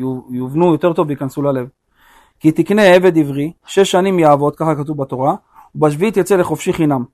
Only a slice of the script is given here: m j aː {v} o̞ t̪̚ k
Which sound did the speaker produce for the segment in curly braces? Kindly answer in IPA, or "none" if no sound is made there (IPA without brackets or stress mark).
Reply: v